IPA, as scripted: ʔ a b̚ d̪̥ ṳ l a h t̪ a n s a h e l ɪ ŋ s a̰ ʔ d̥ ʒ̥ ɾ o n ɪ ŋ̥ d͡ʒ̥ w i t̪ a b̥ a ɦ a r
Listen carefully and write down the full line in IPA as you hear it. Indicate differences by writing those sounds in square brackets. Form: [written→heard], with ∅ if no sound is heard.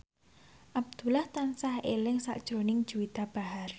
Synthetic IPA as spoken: ʔ a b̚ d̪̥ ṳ l a h t̪ a n s a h e l ɪ ŋ s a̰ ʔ d̥ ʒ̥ ɾ o n ɪ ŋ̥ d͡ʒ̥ [w→u] i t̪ a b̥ a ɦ a r